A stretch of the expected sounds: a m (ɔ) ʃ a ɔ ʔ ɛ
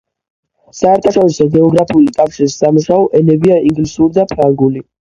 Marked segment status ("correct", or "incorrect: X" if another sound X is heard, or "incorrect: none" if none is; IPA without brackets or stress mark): incorrect: u